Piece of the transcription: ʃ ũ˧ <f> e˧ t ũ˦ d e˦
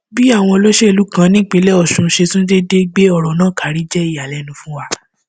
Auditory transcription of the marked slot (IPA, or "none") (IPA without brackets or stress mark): ʃ